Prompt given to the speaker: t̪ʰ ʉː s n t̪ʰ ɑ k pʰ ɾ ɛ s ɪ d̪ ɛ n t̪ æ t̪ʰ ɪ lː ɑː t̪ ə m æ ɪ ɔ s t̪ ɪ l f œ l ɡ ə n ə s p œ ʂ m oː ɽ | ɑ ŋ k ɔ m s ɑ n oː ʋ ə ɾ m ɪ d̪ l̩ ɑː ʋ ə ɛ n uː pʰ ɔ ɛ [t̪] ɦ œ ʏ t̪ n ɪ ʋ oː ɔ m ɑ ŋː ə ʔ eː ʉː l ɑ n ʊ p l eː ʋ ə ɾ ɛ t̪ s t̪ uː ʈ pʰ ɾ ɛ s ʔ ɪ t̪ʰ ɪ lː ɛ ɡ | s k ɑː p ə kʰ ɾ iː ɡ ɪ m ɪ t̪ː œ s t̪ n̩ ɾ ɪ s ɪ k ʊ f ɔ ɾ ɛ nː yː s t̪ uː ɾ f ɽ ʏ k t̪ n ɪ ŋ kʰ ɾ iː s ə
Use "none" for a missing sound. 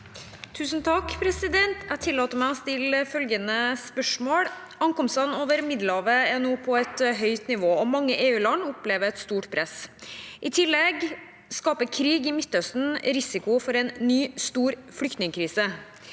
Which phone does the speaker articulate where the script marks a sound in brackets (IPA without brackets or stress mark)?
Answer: t̪